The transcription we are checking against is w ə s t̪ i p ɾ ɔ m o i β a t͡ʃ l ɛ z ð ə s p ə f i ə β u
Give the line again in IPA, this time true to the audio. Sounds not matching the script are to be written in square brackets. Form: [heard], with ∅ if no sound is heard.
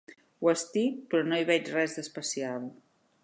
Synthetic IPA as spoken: w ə s t̪ i p ɾ ɔ [n] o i β [ɛ] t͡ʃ [r] ɛ z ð ə s p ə [s] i [a] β u